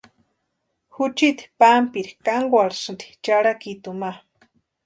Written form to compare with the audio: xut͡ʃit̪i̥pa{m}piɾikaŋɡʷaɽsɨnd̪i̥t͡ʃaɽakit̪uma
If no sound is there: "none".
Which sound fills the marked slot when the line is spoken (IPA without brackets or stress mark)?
m